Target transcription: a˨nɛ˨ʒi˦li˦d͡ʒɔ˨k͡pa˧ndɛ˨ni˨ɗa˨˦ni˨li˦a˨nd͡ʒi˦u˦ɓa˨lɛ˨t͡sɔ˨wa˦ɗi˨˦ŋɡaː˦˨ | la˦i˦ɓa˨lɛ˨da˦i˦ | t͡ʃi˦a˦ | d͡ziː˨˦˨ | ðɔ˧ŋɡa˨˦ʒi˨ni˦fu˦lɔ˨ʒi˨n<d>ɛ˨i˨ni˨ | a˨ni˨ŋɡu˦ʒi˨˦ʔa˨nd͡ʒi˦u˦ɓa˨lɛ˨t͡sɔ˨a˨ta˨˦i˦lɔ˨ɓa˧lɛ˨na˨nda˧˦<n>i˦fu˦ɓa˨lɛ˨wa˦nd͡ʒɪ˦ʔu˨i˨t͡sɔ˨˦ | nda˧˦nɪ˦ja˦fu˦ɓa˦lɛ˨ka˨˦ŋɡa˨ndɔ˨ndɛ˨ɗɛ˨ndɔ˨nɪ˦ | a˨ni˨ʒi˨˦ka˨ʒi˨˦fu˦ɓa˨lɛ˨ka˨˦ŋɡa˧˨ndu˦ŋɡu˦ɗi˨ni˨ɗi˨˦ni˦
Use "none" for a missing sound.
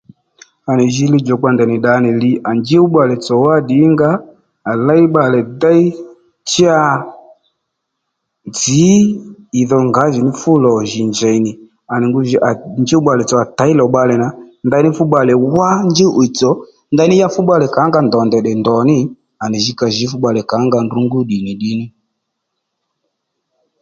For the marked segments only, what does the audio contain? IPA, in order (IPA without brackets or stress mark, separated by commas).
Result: d͡ʒ, n